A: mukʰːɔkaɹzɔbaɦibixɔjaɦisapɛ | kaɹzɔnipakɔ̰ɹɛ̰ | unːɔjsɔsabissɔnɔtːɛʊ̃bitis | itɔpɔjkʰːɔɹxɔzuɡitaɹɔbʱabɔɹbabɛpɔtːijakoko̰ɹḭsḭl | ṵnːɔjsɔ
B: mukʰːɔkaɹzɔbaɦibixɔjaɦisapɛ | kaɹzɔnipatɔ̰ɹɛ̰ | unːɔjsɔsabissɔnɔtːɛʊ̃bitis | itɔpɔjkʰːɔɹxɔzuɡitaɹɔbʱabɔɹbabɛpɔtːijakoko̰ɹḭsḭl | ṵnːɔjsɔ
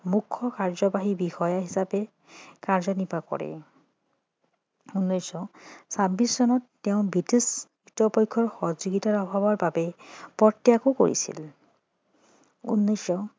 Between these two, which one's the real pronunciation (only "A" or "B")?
A